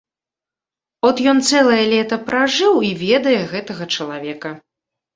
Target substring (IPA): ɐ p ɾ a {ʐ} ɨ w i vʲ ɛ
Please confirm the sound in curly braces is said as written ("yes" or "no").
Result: yes